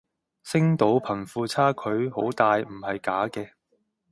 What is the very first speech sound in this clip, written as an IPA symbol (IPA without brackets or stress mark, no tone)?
s